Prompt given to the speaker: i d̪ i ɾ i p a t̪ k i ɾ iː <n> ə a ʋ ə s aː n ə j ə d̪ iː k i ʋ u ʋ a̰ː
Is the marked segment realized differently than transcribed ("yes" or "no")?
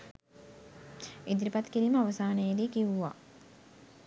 yes